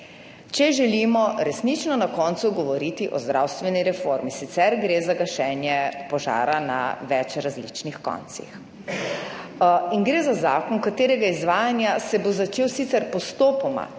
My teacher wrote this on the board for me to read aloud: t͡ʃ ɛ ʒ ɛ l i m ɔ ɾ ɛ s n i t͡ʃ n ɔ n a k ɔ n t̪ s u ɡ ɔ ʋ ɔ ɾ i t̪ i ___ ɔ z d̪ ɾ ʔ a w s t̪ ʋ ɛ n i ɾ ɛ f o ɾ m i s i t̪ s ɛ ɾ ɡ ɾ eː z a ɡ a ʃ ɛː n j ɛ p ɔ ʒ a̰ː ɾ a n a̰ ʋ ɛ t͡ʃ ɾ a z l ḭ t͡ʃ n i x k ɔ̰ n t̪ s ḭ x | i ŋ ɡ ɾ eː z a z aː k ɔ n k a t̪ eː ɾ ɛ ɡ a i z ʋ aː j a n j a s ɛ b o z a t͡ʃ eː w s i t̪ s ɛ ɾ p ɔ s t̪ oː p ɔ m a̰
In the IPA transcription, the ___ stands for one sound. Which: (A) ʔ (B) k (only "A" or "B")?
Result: A